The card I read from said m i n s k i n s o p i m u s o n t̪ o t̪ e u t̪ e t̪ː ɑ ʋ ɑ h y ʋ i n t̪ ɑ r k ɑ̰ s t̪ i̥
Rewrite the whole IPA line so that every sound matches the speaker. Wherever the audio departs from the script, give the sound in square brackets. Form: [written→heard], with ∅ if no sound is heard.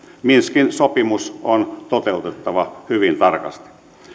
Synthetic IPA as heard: m i n s k i n s o p i m u s o n t̪ o t̪ e u t̪ e t̪ː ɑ ʋ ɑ h y ʋ i n t̪ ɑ r k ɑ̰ s t̪ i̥

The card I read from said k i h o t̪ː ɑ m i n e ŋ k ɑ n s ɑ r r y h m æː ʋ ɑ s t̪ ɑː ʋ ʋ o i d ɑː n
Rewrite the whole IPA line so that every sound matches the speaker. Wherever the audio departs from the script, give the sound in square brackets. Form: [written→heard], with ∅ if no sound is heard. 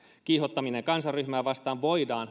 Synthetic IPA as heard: k i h o t̪ː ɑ m i n e ŋ k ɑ n s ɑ r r y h m æː ʋ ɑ s t̪ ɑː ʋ ʋ o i d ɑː n

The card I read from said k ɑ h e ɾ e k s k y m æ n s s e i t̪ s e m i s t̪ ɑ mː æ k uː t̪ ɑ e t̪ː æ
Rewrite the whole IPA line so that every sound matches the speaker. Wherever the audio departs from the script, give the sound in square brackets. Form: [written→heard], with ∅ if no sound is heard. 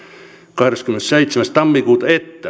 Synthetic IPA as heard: k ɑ h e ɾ e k s k y m [æ→e] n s s e i t̪ s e m [i→æ] s t̪ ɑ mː [æ→i] k uː t̪ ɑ e t̪ː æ

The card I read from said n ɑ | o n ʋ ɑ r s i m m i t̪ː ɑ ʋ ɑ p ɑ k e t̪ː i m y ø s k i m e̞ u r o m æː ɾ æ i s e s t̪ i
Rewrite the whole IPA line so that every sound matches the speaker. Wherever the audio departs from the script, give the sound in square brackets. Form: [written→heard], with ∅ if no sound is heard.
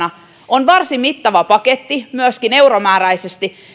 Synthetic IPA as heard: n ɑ | o n ʋ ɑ r s i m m i t̪ː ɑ ʋ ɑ p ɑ k e t̪ː i m y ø s k i [m→n] e̞ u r o m æː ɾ æ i s e s t̪ i

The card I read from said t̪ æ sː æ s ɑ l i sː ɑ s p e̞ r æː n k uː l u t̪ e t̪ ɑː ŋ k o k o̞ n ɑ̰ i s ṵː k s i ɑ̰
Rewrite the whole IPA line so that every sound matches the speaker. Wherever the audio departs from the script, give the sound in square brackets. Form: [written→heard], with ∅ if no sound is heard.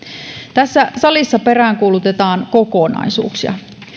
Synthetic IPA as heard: t̪ æ sː æ s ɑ l i sː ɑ [s→∅] p e̞ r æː [n→ŋ] k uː l u t̪ e t̪ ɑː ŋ k o k o̞ n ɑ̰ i s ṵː k s i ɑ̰

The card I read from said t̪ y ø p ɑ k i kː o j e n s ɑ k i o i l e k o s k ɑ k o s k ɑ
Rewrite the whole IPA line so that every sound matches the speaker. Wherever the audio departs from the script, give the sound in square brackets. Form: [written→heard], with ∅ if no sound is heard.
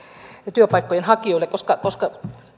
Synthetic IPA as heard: t̪ y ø p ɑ [k→∅] i kː o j e n [s→h] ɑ k i o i l e k o s k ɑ k o s k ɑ

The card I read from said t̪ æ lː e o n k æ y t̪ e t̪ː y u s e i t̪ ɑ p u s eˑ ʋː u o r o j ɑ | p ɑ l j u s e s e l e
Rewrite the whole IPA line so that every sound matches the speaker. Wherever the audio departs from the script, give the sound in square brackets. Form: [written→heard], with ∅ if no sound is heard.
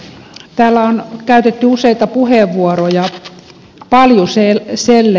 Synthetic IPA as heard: t̪ [æ→æː] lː [e→æ] o n k æ y t̪ e t̪ː y u s e i t̪ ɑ p u [s→h] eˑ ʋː u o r o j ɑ | p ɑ l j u s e s e [l→lː] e

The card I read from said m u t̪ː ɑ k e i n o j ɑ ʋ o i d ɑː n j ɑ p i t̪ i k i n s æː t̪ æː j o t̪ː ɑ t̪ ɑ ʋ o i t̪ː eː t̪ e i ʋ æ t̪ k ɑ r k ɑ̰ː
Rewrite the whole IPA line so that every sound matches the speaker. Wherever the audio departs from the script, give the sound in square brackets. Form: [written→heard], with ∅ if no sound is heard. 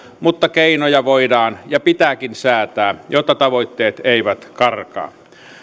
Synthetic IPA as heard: m u t̪ː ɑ k e i n o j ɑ ʋ o i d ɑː n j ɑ p i t̪ [i→æ] k i n s æː t̪ æː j o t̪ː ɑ t̪ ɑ ʋ o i t̪ː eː t̪ e i ʋ æ t̪ k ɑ r k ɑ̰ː

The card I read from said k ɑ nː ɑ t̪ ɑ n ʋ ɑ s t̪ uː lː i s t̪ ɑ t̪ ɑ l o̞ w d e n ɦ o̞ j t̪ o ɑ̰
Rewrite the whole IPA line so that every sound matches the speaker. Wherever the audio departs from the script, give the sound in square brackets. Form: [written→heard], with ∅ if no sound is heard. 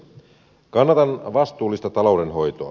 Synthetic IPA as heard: k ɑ nː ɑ t̪ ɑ n ʋ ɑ s t̪ uː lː i s t̪ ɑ t̪ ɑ l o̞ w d e n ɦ o̞ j t̪ o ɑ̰

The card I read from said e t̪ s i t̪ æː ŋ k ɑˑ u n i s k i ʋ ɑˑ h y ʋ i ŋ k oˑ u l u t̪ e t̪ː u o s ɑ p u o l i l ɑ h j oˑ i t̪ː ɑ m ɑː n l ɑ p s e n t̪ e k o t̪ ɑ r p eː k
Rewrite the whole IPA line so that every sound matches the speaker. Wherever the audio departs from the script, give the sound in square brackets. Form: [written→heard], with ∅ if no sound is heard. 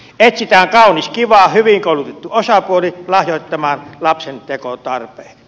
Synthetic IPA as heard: e t̪ s i t̪ æː ŋ k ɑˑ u n i s k i ʋ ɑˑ h y ʋ i ŋ k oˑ u l u t̪ e t̪ː u o s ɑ p u o l i l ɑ h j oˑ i t̪ː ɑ m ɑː n l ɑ p s e n t̪ e k o t̪ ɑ r p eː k

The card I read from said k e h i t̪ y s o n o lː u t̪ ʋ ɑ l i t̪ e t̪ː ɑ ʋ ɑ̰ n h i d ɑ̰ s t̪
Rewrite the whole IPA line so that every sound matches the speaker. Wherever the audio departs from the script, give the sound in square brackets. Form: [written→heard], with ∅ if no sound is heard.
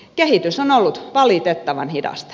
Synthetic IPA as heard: k e h i t̪ y s o n o lː u t̪ ʋ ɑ l i t̪ e t̪ː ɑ ʋ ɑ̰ n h i d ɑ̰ s t̪

